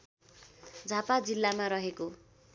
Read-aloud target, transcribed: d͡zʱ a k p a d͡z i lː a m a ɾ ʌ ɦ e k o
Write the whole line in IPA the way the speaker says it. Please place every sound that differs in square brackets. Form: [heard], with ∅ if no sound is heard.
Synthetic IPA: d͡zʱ a [∅] p a d͡z i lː a m a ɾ ʌ ɦ e k o